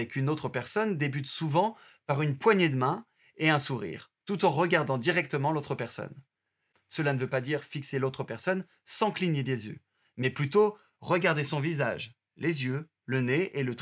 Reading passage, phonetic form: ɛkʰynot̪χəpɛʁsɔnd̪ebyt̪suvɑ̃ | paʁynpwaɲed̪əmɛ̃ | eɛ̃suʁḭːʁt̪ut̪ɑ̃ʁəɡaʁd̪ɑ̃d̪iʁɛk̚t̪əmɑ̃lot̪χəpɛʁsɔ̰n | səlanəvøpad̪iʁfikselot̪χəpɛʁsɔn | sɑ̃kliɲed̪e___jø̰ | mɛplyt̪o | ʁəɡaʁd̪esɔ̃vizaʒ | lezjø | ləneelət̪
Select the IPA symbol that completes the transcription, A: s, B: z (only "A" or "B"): B